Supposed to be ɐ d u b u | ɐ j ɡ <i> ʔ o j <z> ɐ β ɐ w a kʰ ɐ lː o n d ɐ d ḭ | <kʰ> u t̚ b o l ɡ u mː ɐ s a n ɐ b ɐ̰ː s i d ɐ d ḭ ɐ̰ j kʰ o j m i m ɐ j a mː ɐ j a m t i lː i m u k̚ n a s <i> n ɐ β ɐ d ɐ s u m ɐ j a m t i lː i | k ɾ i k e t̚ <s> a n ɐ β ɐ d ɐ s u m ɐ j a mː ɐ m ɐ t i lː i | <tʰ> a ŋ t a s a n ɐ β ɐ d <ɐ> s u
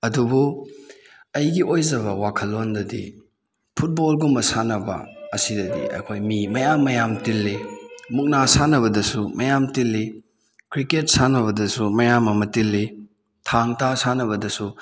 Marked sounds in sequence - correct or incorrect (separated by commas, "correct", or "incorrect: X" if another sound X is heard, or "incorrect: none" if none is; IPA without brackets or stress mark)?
correct, correct, incorrect: pʰ, incorrect: a, correct, correct, correct